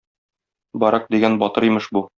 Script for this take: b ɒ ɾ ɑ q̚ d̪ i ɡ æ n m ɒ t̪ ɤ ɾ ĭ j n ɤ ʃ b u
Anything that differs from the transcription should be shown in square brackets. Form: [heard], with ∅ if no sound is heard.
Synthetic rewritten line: b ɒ ɾ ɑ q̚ d̪ i ɡ æ n [b] ɒ t̪ ɤ ɾ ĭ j [m] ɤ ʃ b u